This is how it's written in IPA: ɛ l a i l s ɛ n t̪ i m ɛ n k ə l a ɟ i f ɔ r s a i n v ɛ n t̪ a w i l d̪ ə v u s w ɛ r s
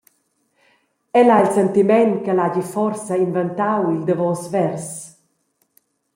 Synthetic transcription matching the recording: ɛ l a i l s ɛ n t̪ i m ɛ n k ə l a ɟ i f ɔ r s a i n v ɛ n t̪ a w i l d̪ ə v ɔ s v ɛ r s